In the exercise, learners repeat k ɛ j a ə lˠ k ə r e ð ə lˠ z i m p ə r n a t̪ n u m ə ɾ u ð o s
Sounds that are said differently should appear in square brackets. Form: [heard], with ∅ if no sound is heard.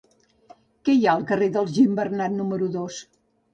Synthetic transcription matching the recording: k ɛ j a ə lˠ k ə r e ð ə lˠ [ʒ] i m [b] ə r n a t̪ n u m ə ɾ u ð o s